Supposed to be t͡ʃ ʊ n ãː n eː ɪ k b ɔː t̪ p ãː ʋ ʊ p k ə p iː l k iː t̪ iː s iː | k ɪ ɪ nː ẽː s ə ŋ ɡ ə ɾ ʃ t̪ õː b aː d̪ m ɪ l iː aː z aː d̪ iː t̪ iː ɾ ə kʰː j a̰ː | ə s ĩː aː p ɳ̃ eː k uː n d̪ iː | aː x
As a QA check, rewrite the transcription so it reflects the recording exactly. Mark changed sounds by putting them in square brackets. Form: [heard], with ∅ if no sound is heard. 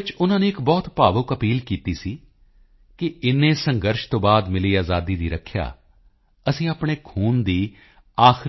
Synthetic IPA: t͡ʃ ʊ n ãː n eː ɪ k b ɔː t̪ p [aː] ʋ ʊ [∅] k ə p iː l k iː t̪ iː s iː | k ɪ ɪ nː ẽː s ə ŋ ɡ ə ɾ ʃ t̪ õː b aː d̪ m ɪ l iː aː z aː d̪ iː [d̪] iː ɾ ə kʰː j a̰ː | ə s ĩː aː p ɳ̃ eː [kʰ] uː n d̪ iː | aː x

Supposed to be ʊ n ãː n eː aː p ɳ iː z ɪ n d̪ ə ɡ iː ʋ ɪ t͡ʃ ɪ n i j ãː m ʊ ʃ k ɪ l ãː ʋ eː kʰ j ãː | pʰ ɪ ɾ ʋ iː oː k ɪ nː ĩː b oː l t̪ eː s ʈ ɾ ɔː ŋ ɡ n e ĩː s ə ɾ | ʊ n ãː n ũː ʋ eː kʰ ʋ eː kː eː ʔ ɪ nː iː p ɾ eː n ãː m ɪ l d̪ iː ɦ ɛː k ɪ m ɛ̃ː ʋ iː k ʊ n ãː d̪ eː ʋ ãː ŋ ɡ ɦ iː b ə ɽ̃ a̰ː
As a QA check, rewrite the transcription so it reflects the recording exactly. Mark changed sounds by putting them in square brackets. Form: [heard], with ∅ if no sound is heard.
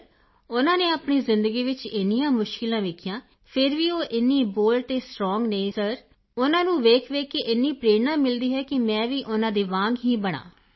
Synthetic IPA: ʊ n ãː n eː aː p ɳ iː z ɪ n d̪ ə ɡ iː ʋ ɪ t͡ʃ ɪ n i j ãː m ʊ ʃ k ɪ l ãː ʋ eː kʰ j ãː | pʰ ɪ ɾ ʋ iː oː [ʔ] ɪ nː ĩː b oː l t̪ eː s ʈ ɾ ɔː ŋ ɡ n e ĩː s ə ɾ | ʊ n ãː n ũː ʋ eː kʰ ʋ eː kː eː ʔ ɪ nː iː p ɾ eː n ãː m ɪ l d̪ iː ɦ ɛː k ɪ m ɛ̃ː ʋ iː [ʔ] ʊ n ãː d̪ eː ʋ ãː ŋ ɡ ɦ iː b ə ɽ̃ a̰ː

